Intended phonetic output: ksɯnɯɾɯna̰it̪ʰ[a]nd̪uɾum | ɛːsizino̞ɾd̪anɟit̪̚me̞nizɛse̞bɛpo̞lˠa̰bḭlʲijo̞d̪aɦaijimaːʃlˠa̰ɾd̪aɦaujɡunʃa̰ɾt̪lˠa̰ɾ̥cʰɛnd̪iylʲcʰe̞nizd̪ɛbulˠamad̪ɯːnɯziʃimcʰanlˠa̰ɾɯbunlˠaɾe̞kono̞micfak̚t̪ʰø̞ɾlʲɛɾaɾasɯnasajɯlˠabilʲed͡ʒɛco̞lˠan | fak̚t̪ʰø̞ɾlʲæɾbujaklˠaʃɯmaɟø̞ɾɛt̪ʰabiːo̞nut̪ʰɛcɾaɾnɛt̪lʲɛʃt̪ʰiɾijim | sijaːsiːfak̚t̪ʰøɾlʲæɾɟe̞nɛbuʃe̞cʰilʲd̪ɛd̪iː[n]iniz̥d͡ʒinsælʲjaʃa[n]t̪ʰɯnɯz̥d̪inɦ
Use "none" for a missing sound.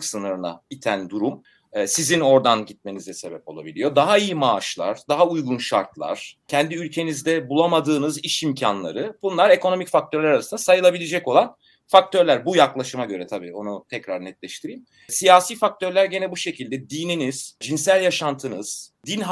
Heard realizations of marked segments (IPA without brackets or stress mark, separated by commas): æ, n, n